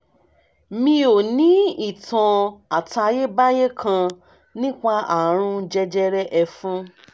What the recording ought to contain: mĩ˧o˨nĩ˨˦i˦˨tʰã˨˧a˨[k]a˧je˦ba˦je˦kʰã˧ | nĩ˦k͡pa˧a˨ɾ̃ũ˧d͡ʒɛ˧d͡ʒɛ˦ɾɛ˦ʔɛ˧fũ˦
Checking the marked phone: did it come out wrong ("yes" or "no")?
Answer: yes